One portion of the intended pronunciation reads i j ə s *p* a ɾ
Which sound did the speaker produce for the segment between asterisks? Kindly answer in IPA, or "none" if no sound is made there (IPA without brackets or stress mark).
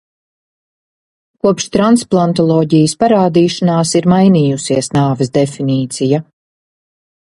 p